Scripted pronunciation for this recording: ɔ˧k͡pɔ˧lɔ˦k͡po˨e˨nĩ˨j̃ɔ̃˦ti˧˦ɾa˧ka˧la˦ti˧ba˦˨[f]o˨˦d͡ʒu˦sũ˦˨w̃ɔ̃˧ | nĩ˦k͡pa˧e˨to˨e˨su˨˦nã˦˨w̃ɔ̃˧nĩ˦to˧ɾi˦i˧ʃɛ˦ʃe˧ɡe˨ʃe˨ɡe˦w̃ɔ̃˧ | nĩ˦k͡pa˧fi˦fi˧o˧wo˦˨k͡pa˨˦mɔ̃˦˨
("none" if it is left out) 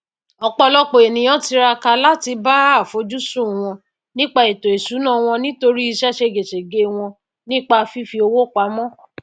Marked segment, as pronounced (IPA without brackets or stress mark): f